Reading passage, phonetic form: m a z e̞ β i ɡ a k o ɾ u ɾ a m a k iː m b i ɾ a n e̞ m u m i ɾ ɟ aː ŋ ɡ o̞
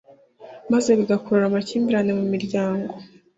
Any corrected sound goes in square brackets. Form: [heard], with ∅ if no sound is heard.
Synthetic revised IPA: m a z e̞ β i ɡ a k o ɾ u ɾ a m a [c] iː m b i ɾ a n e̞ m u m i ɾ ɟ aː ŋ ɡ o̞